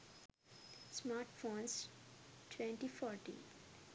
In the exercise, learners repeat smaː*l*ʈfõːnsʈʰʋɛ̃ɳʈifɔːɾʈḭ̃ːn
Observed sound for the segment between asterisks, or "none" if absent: ɾ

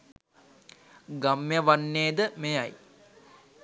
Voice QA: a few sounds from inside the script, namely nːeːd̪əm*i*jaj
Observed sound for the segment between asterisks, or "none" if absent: e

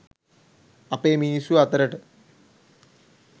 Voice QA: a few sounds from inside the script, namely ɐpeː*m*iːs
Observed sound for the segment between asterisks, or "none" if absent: m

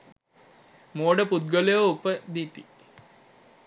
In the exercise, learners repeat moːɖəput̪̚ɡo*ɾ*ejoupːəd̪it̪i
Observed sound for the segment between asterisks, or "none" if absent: l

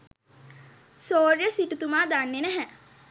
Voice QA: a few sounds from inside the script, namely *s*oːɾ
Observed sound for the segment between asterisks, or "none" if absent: s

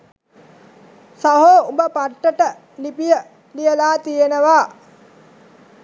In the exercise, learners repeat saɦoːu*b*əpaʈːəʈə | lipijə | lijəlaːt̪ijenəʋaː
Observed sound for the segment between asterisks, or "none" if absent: b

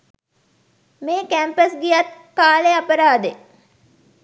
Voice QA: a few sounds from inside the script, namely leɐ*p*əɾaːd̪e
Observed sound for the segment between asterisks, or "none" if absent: p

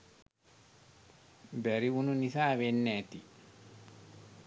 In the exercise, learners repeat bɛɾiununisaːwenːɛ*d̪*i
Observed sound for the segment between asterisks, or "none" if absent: t̪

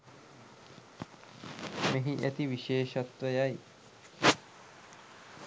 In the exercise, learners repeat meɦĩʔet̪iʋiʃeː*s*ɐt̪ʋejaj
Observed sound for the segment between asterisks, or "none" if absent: ʃ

